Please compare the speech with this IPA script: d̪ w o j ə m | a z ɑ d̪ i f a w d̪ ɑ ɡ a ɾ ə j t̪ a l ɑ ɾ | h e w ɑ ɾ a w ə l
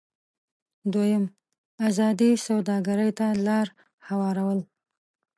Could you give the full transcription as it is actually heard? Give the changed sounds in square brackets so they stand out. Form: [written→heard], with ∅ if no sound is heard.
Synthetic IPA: d̪ w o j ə m | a z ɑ d̪ i [f→s] a w d̪ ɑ ɡ a ɾ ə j t̪ a l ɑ ɾ | h [e→a] w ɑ ɾ a w ə l